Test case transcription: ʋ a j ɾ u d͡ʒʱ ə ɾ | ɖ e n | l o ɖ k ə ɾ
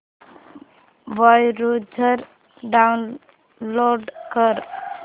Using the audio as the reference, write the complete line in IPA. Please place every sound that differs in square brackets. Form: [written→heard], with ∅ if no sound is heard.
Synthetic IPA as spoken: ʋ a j ɾ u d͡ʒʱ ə ɾ | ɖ [e→a] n | l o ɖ k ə ɾ